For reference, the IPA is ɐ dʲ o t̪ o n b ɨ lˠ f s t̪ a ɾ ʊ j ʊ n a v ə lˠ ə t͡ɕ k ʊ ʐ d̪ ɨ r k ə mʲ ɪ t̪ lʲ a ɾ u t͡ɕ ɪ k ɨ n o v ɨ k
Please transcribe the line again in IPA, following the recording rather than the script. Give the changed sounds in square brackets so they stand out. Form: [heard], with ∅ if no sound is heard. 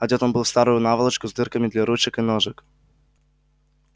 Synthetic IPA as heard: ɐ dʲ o t̪ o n b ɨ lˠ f s t̪ a ɾ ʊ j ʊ n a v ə lˠ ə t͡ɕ k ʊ [z] d̪ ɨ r k ə mʲ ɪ [d̪] lʲ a ɾ u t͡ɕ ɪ k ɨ n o [ʐ] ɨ k